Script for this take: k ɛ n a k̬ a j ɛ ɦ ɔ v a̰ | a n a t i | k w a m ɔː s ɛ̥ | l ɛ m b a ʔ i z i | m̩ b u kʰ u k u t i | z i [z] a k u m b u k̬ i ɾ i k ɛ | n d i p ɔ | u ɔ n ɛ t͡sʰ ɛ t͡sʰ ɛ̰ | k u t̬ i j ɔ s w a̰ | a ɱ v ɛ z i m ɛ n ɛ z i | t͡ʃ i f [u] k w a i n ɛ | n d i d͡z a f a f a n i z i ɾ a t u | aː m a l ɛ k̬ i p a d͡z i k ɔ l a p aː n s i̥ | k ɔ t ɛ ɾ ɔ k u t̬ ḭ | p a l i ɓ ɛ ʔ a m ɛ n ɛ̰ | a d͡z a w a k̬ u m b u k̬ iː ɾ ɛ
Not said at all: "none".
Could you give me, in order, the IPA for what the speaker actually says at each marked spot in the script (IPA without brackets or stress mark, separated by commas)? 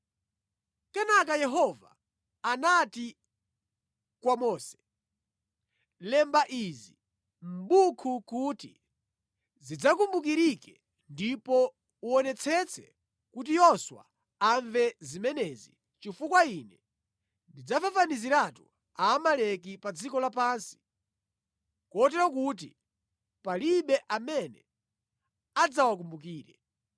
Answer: d͡z, u